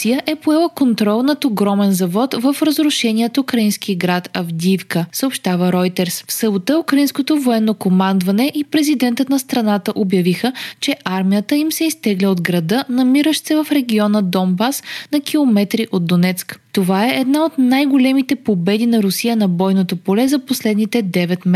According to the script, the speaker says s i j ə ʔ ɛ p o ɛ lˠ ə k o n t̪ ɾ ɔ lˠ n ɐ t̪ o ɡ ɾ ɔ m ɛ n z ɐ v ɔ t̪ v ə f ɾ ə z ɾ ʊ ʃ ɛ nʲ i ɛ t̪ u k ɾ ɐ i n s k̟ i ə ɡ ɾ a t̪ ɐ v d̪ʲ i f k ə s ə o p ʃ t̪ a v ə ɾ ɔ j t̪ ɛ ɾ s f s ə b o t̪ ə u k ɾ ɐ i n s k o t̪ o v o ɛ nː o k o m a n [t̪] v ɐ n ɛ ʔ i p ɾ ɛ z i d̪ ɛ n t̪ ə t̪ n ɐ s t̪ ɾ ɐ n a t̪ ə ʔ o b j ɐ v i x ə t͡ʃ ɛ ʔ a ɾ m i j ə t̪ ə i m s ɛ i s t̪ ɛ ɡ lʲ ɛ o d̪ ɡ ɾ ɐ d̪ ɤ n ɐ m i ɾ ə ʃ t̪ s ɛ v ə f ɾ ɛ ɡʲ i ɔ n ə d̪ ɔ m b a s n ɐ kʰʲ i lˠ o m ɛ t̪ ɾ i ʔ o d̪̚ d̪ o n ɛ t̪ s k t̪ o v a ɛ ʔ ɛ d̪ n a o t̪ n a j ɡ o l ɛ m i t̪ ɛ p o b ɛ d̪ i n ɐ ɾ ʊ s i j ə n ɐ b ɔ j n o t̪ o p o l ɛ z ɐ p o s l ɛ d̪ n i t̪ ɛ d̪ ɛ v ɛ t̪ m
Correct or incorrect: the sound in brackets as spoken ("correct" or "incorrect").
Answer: incorrect